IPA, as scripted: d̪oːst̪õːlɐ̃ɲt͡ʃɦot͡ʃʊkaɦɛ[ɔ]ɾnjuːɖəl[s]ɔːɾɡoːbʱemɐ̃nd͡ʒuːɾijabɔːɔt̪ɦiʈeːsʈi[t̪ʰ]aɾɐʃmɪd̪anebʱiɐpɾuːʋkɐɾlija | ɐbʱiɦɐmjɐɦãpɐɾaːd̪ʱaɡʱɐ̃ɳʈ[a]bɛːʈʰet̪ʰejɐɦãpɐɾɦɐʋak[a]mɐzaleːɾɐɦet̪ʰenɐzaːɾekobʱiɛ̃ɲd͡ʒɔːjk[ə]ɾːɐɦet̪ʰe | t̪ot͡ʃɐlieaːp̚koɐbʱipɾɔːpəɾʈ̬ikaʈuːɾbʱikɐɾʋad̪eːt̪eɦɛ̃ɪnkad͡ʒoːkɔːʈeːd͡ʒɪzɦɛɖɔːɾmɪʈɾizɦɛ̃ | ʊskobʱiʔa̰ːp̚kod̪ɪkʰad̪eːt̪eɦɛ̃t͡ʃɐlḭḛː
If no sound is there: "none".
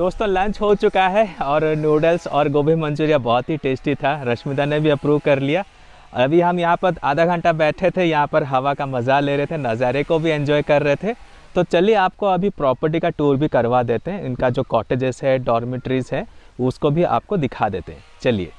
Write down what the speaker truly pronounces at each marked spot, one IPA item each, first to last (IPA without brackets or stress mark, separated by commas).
ɔː, s, t̪ʰ, a, a, ɐ